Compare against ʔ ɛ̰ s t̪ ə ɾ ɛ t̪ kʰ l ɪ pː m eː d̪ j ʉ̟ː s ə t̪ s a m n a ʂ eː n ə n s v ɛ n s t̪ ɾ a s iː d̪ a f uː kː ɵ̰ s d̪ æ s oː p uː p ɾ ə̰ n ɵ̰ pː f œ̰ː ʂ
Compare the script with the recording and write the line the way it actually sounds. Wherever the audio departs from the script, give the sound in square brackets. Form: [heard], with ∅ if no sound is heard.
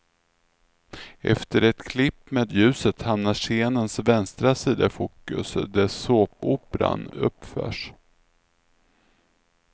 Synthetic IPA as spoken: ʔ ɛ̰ [f] t̪ ə ɾ ɛ t̪ kʰ l ɪ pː m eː d̪ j ʉ̟ː s ə t̪ [h] a m n a ʂ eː n ə n s v ɛ n s t̪ ɾ a s iː d̪ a f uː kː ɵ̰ s d̪ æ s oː p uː p ɾ [a̰] n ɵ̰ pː f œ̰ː ʂ